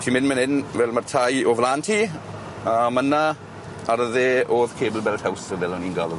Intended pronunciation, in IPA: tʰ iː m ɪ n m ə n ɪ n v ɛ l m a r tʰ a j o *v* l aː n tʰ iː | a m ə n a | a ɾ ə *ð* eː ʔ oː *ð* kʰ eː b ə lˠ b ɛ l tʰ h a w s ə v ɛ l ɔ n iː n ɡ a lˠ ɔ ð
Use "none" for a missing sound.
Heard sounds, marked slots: v, ð, ð

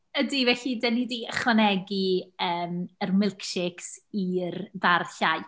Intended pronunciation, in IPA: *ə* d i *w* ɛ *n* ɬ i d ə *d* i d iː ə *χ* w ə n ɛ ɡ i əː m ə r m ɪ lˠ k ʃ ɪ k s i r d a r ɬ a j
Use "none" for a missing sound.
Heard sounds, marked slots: ə, v, none, n, χ

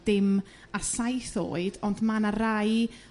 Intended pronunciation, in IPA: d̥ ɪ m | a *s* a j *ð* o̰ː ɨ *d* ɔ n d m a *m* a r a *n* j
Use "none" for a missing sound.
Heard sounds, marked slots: s, θ, d, n, none

